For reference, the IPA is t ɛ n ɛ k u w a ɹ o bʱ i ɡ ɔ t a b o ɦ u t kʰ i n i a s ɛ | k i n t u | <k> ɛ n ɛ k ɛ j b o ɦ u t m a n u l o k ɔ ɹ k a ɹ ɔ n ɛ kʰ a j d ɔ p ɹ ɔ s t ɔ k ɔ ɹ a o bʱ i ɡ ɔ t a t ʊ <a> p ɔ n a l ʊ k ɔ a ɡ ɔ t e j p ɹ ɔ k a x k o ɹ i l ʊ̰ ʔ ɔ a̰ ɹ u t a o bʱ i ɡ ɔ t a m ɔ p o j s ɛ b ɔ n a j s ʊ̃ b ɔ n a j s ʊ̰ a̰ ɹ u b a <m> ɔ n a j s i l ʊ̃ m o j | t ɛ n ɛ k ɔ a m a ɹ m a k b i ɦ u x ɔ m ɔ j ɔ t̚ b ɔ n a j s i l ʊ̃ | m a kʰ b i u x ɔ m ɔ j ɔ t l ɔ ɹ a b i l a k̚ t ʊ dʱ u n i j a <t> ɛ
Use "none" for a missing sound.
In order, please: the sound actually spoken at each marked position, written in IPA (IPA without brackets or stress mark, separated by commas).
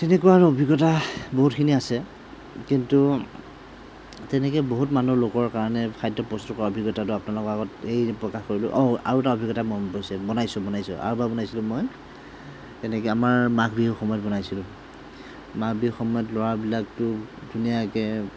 t, a, b, k